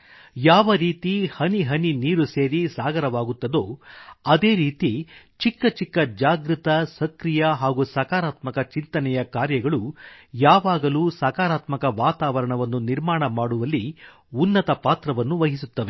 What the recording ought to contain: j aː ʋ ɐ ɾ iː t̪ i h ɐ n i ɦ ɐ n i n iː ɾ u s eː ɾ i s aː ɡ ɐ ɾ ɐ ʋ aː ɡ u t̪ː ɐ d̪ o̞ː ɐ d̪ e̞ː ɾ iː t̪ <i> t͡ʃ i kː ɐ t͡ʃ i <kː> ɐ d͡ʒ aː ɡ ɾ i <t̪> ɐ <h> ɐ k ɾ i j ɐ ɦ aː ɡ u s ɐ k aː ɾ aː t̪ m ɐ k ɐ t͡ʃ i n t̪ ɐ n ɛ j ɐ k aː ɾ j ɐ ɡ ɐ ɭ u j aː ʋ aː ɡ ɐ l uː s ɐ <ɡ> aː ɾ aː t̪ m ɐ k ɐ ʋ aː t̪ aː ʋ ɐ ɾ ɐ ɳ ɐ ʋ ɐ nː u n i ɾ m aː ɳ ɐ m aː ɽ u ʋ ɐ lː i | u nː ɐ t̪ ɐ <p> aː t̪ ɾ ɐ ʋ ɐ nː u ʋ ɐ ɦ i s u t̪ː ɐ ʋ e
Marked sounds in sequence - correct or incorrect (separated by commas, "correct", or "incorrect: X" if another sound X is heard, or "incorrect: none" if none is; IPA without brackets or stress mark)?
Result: correct, correct, correct, incorrect: s, incorrect: k, correct